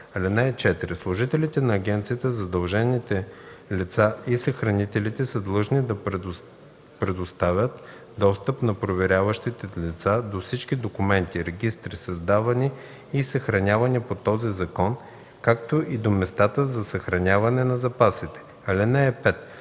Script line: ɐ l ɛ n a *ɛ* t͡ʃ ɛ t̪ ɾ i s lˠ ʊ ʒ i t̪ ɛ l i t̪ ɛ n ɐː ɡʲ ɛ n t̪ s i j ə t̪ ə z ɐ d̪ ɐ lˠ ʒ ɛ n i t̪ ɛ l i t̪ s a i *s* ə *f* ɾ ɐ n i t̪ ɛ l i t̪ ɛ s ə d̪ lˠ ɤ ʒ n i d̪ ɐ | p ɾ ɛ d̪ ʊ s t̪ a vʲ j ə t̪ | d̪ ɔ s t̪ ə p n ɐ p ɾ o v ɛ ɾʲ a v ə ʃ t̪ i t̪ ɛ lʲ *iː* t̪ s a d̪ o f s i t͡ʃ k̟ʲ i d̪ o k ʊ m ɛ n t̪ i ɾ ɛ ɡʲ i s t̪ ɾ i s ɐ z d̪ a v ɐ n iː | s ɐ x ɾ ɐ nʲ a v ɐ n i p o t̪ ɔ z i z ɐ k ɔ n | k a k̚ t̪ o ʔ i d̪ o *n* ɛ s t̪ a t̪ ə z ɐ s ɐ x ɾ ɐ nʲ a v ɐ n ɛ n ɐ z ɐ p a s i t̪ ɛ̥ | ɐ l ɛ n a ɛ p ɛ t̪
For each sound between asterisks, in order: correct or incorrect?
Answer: correct, correct, incorrect: x, incorrect: i, incorrect: m

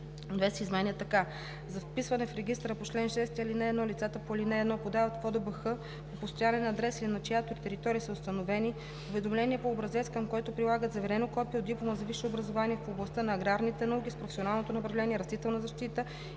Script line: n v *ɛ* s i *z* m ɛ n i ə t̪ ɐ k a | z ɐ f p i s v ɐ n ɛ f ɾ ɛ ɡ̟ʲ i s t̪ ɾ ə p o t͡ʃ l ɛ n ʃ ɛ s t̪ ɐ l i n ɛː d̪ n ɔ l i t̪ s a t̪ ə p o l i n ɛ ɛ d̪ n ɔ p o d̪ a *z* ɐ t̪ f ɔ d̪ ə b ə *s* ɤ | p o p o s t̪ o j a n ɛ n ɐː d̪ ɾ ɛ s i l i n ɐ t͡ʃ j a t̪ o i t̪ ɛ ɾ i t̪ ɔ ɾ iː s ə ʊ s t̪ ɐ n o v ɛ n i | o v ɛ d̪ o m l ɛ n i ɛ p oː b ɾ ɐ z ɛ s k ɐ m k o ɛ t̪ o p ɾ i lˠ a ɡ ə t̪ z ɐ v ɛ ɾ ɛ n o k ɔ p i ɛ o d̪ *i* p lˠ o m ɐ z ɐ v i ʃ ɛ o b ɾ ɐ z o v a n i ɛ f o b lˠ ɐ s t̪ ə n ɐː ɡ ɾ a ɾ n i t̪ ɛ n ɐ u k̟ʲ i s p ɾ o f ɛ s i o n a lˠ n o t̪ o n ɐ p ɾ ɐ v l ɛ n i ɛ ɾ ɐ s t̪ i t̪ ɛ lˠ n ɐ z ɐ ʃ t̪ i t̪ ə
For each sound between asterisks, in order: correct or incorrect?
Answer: correct, correct, incorrect: v, incorrect: x, correct

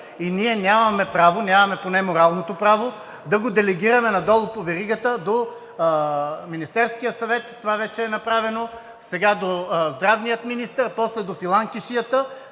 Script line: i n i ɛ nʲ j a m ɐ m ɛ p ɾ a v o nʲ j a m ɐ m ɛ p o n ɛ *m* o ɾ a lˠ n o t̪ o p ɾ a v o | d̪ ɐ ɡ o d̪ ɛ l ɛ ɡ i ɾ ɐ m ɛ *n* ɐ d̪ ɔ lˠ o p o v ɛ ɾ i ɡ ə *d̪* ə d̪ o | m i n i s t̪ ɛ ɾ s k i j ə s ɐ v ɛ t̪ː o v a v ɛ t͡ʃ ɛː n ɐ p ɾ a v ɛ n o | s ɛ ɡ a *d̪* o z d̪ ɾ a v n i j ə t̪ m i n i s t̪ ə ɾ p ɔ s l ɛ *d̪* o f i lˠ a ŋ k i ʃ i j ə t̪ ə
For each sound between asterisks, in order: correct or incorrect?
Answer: correct, correct, incorrect: t̪, correct, correct

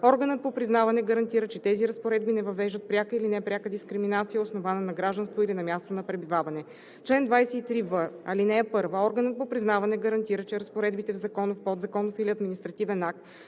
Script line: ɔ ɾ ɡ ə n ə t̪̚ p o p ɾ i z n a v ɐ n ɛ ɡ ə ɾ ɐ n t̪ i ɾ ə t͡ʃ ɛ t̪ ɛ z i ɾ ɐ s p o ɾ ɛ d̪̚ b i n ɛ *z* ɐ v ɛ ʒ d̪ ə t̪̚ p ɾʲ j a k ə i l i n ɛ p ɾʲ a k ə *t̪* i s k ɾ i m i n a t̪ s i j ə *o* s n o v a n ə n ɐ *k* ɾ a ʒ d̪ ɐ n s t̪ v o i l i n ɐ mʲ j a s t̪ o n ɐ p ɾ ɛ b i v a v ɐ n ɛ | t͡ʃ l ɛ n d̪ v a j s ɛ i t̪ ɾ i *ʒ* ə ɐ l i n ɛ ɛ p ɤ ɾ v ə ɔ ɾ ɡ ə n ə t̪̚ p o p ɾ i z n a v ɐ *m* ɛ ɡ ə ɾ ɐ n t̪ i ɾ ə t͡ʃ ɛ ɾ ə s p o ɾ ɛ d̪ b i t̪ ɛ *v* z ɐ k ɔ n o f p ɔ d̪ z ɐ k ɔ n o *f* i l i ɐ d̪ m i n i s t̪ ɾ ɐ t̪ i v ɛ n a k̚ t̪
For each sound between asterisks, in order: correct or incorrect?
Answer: incorrect: v, incorrect: d̪, correct, incorrect: ɡ, incorrect: v, incorrect: n, correct, correct

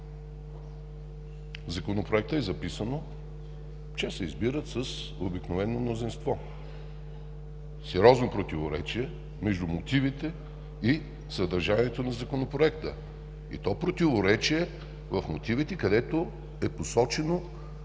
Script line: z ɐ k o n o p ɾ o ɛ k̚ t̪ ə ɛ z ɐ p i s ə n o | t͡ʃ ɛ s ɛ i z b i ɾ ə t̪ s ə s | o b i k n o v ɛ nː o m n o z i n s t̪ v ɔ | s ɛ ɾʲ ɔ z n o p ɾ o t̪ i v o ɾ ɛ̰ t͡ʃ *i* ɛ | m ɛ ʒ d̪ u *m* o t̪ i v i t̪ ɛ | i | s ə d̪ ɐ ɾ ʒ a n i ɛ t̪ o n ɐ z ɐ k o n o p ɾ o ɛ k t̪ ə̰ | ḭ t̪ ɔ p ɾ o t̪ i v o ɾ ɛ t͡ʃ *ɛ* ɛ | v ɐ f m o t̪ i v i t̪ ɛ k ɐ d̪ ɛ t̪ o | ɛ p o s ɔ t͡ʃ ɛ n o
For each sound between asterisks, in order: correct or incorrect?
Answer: correct, correct, incorrect: i

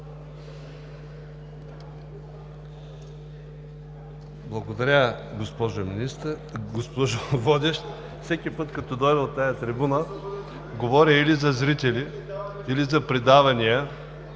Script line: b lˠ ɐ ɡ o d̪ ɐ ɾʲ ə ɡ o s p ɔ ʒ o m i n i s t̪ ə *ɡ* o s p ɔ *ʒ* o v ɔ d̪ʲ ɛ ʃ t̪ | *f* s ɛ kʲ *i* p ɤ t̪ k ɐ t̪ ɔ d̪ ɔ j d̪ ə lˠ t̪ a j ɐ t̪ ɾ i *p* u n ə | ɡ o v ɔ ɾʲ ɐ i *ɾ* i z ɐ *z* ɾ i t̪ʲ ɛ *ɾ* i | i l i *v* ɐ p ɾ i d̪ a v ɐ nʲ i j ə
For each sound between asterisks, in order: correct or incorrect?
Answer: correct, correct, correct, correct, incorrect: b, incorrect: l, correct, incorrect: l, incorrect: z

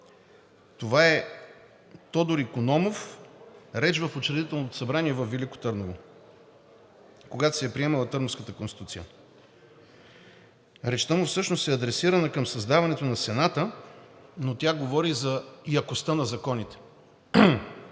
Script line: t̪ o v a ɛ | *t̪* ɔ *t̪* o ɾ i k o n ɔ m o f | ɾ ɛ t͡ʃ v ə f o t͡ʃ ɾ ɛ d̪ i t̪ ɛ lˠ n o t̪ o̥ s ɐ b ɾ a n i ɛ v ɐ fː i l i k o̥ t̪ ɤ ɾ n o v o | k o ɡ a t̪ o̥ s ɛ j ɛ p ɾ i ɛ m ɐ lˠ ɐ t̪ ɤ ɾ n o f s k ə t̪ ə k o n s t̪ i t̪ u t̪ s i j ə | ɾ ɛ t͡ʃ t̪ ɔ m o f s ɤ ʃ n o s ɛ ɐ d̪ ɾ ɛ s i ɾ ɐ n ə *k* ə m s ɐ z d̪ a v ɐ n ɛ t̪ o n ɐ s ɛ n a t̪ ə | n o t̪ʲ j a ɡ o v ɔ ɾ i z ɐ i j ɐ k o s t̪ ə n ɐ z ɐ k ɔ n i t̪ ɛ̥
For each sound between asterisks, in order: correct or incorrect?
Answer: correct, incorrect: d̪, correct

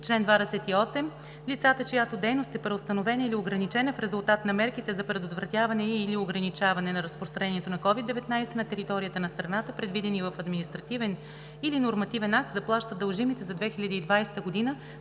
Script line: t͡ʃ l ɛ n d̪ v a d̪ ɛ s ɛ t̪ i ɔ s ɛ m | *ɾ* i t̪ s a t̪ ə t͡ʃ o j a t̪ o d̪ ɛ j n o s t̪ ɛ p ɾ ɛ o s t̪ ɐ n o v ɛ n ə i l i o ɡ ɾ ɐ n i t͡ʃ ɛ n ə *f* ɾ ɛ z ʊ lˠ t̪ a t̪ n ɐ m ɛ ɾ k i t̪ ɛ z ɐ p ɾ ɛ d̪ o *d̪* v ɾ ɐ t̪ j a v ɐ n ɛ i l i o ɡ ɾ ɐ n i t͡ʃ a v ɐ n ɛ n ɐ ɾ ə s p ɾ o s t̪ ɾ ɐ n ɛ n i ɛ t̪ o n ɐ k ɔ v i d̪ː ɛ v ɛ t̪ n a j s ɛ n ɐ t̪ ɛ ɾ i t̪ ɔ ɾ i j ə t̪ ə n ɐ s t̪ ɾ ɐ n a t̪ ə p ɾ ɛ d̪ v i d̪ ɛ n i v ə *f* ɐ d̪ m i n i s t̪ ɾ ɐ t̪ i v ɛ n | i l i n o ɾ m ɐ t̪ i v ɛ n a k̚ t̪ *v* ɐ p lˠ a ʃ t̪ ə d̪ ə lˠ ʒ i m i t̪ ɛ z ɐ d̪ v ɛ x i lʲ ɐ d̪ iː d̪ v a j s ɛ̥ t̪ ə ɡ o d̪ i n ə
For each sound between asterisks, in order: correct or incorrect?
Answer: incorrect: l, correct, incorrect: t̪, correct, incorrect: z

